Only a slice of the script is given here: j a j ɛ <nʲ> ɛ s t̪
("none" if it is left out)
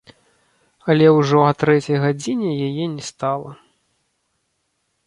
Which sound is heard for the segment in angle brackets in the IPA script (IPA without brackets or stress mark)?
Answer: nʲ